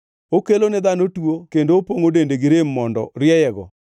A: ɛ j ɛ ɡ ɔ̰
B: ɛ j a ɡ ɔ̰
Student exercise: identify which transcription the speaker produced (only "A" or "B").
A